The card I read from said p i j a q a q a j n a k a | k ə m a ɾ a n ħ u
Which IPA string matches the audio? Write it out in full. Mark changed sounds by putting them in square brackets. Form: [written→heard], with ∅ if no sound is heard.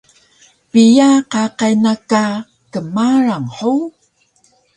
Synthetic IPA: p i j a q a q a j n a k a | k ə m a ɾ a [n→ŋ] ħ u